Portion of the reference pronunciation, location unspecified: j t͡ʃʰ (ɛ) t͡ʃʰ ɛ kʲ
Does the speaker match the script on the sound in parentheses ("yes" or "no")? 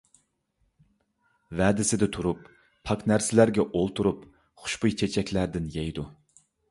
no